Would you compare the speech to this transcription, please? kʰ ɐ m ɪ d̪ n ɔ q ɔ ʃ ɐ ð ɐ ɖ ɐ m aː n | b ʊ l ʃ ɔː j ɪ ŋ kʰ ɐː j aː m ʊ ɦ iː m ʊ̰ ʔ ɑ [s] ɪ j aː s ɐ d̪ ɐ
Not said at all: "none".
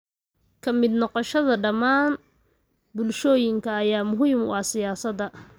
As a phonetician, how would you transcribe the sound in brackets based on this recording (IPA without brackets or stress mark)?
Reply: s